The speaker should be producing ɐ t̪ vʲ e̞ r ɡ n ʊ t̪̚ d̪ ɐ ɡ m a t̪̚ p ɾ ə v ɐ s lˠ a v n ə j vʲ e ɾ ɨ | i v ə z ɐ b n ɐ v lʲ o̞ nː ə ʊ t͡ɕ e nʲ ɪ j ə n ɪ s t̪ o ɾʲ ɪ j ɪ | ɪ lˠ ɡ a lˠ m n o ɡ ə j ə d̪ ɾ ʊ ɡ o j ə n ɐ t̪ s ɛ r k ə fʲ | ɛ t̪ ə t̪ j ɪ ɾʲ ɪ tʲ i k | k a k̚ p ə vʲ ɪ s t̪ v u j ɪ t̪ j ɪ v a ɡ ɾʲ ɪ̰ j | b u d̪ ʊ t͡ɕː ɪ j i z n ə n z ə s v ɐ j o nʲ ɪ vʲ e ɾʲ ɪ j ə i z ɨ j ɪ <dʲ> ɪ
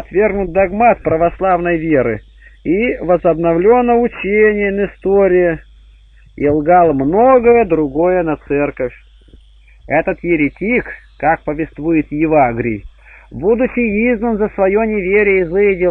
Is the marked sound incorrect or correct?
correct